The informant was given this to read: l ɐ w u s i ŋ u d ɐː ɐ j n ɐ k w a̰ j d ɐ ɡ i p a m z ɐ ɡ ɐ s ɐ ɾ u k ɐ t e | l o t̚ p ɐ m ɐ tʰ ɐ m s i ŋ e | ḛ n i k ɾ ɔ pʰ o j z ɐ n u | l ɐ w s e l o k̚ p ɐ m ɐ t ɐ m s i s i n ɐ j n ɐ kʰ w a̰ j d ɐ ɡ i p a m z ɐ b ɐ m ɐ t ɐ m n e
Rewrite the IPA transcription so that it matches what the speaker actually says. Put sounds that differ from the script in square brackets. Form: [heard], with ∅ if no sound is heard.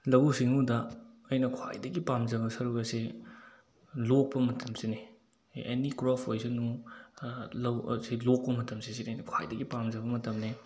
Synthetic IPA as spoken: l ɐ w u s i ŋ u d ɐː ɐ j n ɐ [kʰ] w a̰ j d ɐ ɡ i p a m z ɐ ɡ ɐ s ɐ ɾ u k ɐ [s] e | l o [k̚] p ɐ m ɐ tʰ ɐ m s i [n] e | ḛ n i k ɾ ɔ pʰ o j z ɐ n u | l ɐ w s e l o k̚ p ɐ m ɐ t ɐ m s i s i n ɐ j n ɐ kʰ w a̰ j d ɐ ɡ i p a m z ɐ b ɐ m ɐ t ɐ m n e